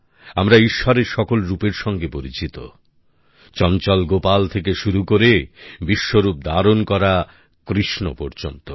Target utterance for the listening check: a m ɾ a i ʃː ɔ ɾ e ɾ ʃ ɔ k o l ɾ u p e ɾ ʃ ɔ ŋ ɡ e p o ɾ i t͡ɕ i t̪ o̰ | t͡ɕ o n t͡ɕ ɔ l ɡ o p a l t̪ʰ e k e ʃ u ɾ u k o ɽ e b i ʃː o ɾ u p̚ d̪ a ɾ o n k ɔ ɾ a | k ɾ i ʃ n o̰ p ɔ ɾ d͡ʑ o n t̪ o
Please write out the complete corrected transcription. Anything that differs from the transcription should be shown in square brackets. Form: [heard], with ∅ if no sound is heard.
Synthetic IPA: a m ɾ a i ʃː ɔ ɾ e ɾ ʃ ɔ k o l ɾ u p e ɾ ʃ ɔ ŋ ɡ e p o ɾ i t͡ɕ i t̪ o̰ | t͡ɕ [ɔ] n t͡ɕ ɔ l ɡ o p a l t̪ʰ e k e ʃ u ɾ u k o [ɾ] e b i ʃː o ɾ u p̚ d̪ a ɾ o n k ɔ ɾ a | k ɾ i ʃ n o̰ p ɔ ɾ d͡ʑ o n t̪ o